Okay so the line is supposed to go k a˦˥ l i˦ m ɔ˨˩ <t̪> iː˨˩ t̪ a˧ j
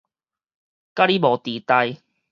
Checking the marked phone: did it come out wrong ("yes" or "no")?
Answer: no